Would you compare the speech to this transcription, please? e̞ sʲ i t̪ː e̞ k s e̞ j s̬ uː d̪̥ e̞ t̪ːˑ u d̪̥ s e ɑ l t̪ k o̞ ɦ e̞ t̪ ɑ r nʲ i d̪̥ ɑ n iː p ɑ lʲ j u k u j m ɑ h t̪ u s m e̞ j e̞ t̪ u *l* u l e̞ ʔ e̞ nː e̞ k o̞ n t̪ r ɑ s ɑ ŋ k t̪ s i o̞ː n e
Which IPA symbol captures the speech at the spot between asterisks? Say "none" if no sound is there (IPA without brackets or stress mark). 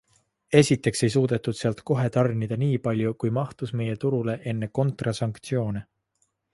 ɾ